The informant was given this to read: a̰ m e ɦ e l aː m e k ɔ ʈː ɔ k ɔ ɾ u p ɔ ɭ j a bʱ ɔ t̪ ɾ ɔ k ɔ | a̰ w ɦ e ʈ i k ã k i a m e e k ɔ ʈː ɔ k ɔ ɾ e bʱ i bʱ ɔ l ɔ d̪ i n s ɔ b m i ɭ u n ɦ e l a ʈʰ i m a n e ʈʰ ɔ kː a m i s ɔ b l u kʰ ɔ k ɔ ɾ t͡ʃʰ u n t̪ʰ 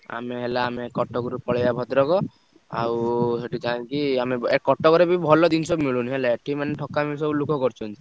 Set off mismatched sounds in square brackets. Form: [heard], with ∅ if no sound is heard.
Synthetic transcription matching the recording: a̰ m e ɦ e l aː m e k ɔ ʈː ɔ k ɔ ɾ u p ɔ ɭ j a bʱ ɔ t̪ ɾ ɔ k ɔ | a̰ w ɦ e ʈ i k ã k i a m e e k ɔ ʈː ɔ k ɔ ɾ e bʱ i bʱ ɔ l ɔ d̪ i n s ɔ b m i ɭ u n ɦ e l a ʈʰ i m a n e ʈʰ ɔ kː a m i s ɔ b l u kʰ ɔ k ɔ ɾ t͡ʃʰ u n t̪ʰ